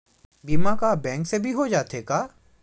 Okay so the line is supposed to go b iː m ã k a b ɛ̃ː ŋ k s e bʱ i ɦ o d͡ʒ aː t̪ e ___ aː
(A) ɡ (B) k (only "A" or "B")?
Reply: B